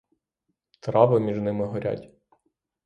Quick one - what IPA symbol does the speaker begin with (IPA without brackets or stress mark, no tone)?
t̪